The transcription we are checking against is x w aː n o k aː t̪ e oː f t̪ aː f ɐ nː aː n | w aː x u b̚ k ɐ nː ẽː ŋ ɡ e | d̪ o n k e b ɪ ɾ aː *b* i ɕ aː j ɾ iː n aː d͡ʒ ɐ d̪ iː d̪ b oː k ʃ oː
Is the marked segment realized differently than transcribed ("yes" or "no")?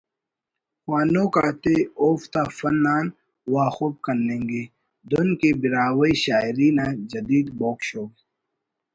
yes